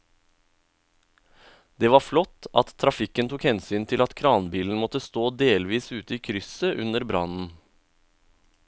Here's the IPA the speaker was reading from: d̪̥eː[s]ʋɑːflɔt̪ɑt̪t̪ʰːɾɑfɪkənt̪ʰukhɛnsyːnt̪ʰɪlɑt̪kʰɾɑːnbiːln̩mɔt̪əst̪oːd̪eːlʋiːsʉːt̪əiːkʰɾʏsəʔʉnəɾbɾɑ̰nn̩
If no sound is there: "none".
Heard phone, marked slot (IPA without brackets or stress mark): none